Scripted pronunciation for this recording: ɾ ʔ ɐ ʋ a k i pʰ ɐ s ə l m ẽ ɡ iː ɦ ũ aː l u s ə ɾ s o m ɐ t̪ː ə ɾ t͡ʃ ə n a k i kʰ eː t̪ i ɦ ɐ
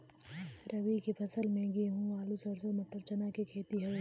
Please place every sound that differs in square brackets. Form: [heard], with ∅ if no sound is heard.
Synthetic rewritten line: ɾ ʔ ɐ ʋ [i] k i pʰ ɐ s ə l m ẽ ɡ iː ɦ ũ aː l u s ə ɾ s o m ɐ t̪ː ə ɾ t͡ʃ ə n a k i kʰ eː t̪ i ɦ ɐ